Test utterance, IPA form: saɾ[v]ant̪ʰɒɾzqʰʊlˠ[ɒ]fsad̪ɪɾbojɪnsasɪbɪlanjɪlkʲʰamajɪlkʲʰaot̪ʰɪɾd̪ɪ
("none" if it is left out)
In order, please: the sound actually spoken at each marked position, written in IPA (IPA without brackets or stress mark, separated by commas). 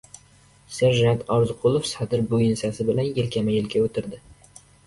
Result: ʒ, o